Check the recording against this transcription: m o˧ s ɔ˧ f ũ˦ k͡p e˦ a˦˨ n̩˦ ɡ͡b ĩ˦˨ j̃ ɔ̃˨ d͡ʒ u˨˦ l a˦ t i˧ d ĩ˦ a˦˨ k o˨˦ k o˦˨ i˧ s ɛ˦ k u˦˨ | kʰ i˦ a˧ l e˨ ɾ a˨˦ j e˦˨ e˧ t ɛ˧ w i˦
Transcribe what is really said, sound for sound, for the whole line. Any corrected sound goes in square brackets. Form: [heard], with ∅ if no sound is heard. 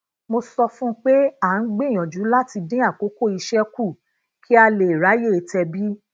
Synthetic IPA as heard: m o˧ s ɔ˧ f ũ˦ k͡p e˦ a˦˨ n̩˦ ɡ͡b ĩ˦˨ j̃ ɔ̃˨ d͡ʒ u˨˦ l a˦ t i˧ d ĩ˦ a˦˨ k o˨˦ k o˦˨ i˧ [ʃ] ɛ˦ k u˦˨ | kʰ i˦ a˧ l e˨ ɾ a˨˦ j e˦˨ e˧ t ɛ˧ [b] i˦